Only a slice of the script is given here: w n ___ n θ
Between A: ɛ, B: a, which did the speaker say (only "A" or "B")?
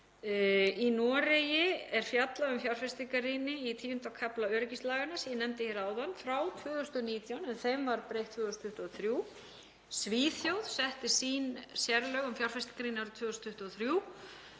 A